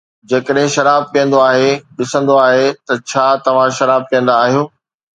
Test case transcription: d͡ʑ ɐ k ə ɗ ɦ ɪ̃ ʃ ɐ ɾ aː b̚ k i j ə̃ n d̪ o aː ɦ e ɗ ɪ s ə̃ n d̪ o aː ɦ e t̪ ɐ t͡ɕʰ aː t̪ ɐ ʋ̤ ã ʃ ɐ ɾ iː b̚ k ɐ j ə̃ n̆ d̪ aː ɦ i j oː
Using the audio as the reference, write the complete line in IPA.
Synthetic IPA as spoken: d͡ʑ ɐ k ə ɗ ɦ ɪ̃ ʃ ɐ ɾ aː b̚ k i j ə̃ n d̪ o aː ɦ e ɗ ɪ s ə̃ n d̪ o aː ɦ e t̪ ɐ t͡ɕʰ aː t̪ ɐ ʋ̤ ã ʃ ɐ ɾ aː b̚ k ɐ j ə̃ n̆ d̪ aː ɦ i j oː

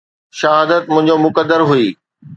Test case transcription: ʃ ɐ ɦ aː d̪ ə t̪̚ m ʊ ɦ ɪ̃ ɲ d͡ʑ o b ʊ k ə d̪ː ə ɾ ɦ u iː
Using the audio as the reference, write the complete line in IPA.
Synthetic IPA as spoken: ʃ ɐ ɦ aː d̪ ə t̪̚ m ʊ̃ ɦ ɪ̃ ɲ d͡ʑ o m ʊ k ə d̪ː ə ɾ ɦ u iː

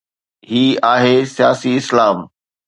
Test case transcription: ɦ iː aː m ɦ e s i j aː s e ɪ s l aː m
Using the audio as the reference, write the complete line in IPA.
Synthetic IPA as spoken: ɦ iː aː ɦ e s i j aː s i ɪ s l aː m

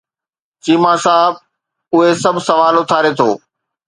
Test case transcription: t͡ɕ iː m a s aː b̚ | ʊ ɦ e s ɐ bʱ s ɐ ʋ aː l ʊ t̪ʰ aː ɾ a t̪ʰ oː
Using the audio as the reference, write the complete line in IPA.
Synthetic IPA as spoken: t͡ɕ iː m a s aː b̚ | ʊ ɦ e s ɐ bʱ s ɐ ʋ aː l ʊ t̪ʰ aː ɾ e t̪ʰ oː

